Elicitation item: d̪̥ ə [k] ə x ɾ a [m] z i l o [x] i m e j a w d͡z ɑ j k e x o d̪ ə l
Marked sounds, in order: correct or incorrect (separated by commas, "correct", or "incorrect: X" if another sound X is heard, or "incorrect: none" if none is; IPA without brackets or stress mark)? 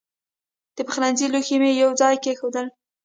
incorrect: p, incorrect: n, correct